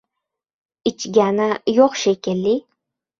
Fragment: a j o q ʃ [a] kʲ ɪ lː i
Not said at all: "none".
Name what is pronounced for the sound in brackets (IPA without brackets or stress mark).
e